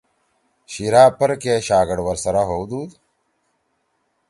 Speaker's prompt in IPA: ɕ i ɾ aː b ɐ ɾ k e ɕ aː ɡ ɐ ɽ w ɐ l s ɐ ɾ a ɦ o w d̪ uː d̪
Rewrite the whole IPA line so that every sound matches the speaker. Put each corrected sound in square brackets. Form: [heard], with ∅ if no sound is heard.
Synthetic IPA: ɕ i ɾ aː [p] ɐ ɾ k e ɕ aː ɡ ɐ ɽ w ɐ [ɾ] s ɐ ɾ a ɦ o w d̪ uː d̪